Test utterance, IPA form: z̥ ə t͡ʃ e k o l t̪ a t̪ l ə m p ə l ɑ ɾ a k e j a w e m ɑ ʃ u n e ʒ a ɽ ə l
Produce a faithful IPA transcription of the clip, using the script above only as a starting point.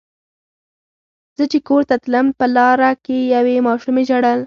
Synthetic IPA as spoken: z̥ ə t͡ʃ e k o ɾ t̪ a t̪ l ə m p ə l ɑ ɾ a k e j a w e m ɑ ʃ u m e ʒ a ɽ ə l

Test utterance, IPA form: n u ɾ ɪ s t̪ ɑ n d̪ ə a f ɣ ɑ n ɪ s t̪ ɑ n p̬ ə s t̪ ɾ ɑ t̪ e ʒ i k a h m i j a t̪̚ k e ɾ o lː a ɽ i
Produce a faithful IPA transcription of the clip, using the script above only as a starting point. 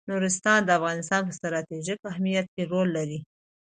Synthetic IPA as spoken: n u ɾ ɪ s t̪ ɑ n d̪ ə a f ɣ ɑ n ɪ s t̪ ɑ n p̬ ə s t̪ ɾ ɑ t̪ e ʒ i k a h m i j a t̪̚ k e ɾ o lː a ɾ i

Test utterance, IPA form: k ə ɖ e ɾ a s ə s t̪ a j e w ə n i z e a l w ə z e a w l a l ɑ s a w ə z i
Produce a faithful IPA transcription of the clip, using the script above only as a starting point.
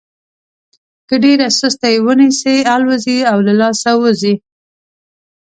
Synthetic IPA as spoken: k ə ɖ e ɾ a s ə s t̪ a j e w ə n i s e a l w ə z i a w l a l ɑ s a w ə z i

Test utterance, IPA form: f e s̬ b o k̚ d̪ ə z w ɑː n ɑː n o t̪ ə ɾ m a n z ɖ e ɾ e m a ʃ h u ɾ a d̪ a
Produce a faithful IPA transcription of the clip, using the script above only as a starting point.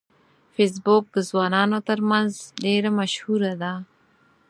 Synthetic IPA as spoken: f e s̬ b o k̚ d̪ ə z w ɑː n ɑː n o t̪ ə ɾ m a n z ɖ e ɾ a m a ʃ h u ɾ a d̪ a

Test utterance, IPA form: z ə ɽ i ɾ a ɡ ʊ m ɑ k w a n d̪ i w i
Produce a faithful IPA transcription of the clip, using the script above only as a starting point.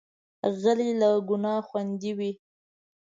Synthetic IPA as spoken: ɣ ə l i l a ɡ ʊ n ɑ x w a n d̪ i w i

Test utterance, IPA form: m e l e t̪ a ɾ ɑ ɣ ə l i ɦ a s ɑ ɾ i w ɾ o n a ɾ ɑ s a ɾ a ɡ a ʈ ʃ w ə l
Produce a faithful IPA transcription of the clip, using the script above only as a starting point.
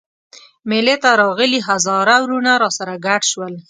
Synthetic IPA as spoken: m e l e t̪ a ɾ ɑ ɣ ə l i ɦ a z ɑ ɾ a w ɾ u n a ɾ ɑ s a ɾ a ɡ a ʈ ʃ w ə l

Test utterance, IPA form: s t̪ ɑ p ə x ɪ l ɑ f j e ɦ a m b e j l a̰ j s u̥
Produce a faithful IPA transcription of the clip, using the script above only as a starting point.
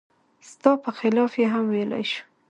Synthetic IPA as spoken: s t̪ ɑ p ə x ɪ l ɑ f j e ɦ a m w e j l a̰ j ʃ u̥

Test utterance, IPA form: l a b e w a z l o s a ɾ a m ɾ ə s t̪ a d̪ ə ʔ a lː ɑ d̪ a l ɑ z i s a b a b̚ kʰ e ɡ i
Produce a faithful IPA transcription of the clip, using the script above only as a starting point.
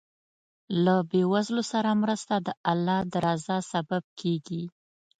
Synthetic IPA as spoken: l a b e w a z l o s a ɾ a m ɾ ə s t̪ a d̪ ə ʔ a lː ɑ d̪ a ɾ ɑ z a s a b a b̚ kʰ e ɡ i

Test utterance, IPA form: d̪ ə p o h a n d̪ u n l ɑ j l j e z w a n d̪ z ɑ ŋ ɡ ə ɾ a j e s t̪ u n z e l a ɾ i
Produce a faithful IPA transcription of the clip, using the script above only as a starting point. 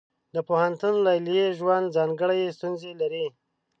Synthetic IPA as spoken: d̪ ə p o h a n t̪ u n l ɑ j l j e ʒ w a n d̪ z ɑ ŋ ɡ ə ɽ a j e s t̪ u n z e l a ɾ i

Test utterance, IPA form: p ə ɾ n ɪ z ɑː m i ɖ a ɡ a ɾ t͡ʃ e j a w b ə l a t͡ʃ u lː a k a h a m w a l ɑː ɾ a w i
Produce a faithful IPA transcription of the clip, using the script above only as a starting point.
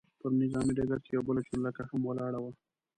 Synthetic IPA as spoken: p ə ɾ n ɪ z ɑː m i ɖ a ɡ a ɾ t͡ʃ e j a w b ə l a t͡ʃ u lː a k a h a m w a l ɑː ɽ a w a

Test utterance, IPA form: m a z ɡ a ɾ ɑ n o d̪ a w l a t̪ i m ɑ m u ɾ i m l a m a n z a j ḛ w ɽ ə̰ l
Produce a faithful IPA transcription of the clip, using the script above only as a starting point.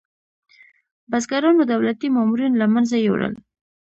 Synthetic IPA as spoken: b a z ɡ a ɾ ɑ n o d̪ a w l a t̪ i m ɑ m u ɾ i n l a m a n z a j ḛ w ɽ ə̰ l

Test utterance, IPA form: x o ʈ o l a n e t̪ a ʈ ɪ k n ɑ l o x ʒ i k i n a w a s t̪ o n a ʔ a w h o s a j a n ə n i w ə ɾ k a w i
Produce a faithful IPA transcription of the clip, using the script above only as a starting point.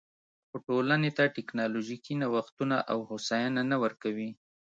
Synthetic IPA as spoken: x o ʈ o l a n e t̪ a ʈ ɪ k n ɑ l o ʒ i k i n a w a x t̪ u n a ʔ a w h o s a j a n a n a w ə ɾ k a w i

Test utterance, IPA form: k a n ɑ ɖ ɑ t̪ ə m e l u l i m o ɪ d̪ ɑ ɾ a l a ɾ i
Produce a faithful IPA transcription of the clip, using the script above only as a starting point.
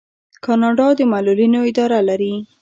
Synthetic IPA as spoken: k ɑ n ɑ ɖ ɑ d̪ ə m a l u l i n o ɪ d̪ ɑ ɾ a l a ɾ i

